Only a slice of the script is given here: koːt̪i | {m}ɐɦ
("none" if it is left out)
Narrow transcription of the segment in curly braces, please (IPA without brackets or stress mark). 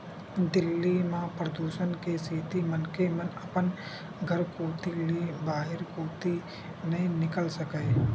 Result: n